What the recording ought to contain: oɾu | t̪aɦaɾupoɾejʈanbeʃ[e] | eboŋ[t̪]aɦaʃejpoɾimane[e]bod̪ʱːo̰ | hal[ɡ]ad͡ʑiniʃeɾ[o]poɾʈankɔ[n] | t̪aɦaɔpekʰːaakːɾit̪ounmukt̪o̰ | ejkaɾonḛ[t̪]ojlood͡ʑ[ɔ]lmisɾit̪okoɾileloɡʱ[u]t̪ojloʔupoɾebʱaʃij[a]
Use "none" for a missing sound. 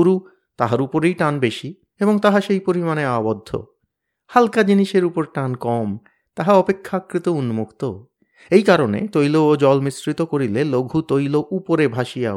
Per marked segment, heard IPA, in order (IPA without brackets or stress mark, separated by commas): i, t̪, a, k, u, m, t̪, ɔ, u, a